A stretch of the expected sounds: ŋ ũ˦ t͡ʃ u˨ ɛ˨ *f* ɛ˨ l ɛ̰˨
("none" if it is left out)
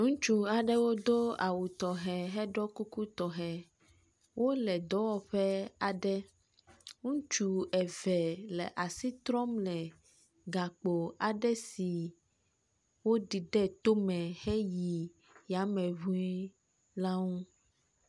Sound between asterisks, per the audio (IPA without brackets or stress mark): v